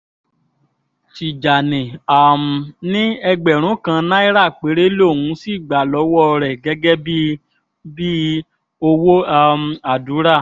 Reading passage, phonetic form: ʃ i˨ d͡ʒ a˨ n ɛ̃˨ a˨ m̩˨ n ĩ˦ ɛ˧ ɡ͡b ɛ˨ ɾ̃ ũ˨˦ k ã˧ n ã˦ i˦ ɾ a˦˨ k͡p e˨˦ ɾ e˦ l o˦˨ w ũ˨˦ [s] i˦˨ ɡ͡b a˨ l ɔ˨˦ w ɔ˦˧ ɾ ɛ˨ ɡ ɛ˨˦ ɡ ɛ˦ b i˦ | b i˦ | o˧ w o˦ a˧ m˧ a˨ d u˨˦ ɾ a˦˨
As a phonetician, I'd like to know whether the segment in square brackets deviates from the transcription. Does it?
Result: no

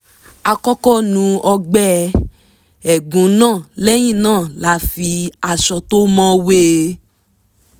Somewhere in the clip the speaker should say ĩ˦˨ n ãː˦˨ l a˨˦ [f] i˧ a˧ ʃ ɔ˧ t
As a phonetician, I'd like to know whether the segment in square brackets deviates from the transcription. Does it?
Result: no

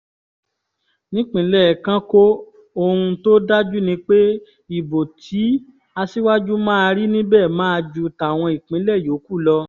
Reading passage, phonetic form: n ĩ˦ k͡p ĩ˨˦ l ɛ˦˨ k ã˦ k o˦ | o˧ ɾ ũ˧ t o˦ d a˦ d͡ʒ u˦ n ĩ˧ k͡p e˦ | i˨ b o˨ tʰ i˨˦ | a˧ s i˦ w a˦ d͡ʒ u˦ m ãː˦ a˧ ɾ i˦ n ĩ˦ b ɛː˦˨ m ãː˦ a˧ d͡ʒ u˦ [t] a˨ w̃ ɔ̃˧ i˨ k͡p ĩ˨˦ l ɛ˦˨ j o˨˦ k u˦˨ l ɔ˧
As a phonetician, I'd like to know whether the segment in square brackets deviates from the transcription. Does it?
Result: no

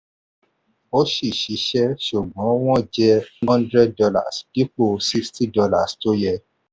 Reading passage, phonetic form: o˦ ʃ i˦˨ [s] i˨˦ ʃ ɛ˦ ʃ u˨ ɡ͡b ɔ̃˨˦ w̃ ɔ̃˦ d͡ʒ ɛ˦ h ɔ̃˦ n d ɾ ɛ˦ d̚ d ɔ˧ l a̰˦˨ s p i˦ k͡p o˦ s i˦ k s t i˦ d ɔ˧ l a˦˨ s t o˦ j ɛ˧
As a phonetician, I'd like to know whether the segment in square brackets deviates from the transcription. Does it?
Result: yes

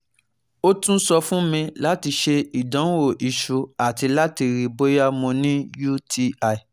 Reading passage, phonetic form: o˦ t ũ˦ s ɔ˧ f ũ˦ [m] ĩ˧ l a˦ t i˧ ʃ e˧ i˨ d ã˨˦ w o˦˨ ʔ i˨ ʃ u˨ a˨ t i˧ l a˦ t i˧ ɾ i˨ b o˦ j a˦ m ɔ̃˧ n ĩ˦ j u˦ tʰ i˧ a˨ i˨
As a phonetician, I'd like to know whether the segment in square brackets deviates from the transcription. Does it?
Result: no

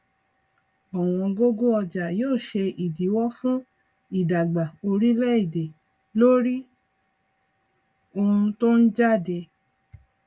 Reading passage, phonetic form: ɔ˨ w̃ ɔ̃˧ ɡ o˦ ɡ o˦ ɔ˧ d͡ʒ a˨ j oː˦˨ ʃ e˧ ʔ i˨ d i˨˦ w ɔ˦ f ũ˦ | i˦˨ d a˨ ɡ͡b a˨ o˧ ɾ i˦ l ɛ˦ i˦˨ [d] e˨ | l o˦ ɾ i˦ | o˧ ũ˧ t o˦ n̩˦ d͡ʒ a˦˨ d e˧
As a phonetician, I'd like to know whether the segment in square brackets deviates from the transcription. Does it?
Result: no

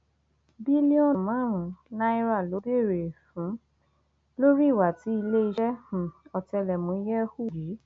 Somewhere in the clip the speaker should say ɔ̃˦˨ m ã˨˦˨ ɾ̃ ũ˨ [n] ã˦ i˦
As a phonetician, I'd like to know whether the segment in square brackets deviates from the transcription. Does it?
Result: no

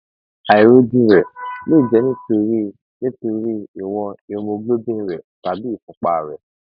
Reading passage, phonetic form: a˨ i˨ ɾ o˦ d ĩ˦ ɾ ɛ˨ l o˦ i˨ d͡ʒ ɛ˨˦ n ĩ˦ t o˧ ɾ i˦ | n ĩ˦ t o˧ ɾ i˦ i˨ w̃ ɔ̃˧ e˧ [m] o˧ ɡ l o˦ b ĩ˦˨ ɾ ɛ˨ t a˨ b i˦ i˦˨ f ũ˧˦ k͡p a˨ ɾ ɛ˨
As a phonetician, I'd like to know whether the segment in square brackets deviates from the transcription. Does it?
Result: no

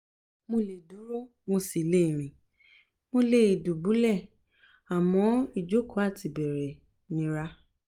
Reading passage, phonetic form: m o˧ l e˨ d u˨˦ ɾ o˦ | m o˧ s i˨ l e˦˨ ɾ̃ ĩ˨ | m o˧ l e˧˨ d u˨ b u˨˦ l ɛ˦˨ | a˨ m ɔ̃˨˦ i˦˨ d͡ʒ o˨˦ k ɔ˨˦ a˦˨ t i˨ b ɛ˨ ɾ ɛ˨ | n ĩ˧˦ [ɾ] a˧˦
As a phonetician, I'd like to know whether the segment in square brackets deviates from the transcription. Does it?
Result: no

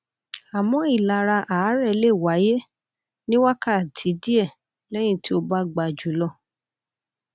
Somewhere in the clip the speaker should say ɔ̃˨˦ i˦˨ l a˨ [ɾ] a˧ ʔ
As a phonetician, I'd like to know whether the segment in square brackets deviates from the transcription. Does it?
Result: no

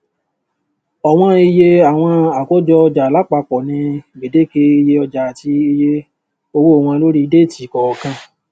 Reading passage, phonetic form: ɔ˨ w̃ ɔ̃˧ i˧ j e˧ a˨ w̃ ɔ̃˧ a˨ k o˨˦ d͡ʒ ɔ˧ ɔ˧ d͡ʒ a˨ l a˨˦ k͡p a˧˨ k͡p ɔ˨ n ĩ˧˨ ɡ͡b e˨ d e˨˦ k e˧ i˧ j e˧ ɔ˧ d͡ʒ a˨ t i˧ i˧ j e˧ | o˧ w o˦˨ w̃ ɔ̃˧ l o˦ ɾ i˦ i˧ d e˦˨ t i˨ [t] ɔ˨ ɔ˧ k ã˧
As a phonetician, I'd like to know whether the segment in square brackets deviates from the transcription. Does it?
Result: yes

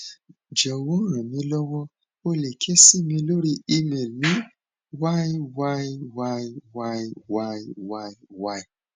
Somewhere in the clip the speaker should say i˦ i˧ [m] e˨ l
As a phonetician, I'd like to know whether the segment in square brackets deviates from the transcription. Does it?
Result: no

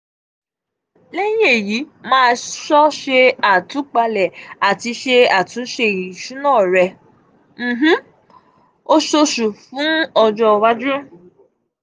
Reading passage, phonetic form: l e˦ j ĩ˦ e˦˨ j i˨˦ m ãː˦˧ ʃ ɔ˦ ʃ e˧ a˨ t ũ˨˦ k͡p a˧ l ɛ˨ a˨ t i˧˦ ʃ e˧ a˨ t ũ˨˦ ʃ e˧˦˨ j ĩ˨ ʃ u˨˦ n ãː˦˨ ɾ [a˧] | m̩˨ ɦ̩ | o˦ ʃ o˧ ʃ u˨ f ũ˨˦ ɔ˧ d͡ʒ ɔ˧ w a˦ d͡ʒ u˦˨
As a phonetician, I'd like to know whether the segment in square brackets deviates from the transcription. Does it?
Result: yes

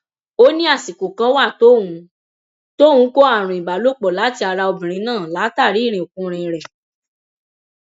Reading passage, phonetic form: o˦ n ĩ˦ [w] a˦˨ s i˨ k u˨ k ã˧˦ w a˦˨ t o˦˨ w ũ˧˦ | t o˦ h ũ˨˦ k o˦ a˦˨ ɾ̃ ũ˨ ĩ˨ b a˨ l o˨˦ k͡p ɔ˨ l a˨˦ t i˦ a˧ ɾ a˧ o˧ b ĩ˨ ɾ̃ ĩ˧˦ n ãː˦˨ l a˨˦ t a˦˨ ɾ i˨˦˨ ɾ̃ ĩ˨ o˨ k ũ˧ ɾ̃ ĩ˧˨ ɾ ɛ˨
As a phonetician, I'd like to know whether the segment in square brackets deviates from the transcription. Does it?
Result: yes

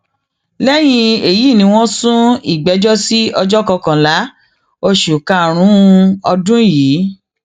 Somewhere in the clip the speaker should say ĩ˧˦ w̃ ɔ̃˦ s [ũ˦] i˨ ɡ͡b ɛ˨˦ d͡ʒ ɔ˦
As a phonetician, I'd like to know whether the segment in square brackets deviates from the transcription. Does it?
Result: no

